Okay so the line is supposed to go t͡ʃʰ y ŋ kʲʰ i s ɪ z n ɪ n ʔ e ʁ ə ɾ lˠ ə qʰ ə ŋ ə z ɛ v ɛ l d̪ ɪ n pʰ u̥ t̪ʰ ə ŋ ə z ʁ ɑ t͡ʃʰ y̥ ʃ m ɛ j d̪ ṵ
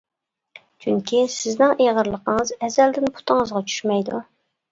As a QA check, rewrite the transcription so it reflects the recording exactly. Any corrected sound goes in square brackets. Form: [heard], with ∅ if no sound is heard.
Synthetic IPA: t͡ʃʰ y ŋ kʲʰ i s ɪ z n ɪ [ŋ] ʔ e ʁ ə ɾ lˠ ə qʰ ə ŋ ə z ɛ [z] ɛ l d̪ ɪ n pʰ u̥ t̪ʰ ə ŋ ə z ʁ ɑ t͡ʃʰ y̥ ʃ m ɛ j d̪ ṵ